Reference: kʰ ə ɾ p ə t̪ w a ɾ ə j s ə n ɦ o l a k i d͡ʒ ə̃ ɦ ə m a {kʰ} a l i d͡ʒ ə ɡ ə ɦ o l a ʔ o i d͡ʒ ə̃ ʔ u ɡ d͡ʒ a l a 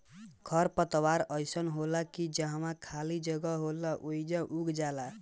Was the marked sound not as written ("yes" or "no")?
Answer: no